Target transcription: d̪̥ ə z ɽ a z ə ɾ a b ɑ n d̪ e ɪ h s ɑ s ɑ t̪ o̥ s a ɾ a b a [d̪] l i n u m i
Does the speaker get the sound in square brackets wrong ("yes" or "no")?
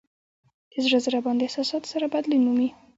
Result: no